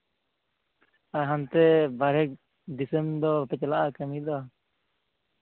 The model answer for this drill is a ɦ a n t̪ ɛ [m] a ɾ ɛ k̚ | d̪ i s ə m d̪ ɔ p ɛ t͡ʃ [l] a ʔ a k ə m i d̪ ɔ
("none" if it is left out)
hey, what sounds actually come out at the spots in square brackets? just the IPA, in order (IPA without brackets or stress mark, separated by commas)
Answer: b, l